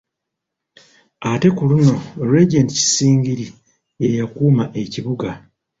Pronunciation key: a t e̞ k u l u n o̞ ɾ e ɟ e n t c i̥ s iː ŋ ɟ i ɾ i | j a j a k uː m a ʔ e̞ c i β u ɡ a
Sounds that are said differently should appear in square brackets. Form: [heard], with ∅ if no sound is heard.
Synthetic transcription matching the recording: a t e̞ k u l u n o̞ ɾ e ɟ e n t c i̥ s iː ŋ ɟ i ɾ i | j [e] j a k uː m a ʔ e̞ c i β u ɡ a